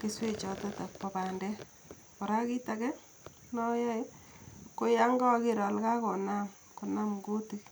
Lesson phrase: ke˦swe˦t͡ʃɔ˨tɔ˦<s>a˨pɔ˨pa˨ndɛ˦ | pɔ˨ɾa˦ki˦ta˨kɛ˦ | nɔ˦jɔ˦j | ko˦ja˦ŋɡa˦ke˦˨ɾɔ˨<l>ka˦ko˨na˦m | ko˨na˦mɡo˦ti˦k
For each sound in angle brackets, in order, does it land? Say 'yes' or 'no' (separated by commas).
no, yes